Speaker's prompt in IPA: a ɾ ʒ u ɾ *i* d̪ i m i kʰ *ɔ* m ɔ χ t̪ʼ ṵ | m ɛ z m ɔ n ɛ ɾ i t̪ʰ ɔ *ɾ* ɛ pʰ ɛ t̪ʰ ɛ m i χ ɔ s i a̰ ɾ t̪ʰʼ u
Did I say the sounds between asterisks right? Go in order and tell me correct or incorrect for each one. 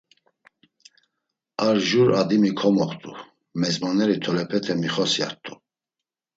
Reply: incorrect: a, correct, incorrect: l

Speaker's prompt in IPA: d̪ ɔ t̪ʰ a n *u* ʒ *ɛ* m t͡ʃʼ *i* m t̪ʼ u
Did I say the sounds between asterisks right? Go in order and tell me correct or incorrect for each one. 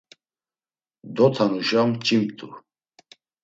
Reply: correct, incorrect: a, correct

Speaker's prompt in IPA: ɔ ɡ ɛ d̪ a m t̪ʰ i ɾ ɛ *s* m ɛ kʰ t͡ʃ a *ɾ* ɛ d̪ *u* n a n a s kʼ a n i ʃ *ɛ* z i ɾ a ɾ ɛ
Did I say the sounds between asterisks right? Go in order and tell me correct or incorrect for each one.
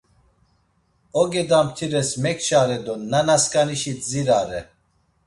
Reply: correct, correct, incorrect: ɔ, incorrect: i

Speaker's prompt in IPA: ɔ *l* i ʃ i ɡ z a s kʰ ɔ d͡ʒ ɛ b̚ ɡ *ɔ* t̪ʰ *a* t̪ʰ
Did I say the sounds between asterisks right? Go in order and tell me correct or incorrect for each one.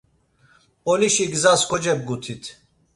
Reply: correct, incorrect: u, incorrect: i

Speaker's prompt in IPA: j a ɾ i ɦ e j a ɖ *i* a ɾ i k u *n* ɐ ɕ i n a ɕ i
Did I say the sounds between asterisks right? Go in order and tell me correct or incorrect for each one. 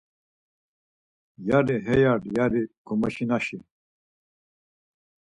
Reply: incorrect: j, incorrect: m

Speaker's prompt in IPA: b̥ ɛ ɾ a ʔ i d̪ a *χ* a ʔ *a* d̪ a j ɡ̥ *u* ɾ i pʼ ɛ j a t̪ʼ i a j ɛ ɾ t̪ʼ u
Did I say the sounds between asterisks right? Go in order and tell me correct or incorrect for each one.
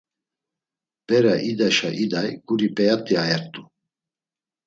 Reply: incorrect: ʃ, incorrect: i, correct

